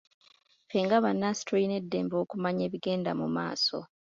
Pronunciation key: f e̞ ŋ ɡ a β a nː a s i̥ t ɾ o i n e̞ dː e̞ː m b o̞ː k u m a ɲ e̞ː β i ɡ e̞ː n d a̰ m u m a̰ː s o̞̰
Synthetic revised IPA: f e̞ ŋ ɡ a β a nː a s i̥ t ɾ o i n e̞ dː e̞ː m b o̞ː k u m a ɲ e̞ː β i ɡ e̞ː n d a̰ m u m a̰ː s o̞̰